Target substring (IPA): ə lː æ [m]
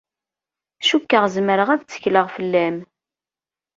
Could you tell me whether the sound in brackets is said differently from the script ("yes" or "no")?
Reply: no